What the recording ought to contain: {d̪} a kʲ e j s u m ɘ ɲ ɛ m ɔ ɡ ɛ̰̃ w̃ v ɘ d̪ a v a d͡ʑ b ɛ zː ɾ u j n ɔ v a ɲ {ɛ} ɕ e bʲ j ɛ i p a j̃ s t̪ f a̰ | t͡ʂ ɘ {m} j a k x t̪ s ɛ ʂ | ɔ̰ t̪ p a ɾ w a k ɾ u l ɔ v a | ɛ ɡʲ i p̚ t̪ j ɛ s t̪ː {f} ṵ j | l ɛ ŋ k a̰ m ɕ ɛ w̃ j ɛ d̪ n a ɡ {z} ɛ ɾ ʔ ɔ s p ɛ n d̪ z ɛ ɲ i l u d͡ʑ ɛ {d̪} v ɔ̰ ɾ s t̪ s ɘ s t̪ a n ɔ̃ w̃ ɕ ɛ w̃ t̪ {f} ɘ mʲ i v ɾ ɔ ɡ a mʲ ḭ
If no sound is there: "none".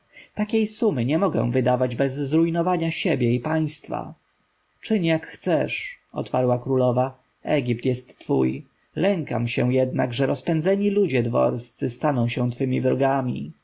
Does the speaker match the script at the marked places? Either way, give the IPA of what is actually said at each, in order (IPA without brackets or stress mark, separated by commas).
t̪, a, ɲ, f, ʐ, d̪, f